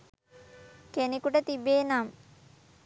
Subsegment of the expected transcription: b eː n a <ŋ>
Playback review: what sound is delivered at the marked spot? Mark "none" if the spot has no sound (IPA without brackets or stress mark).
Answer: m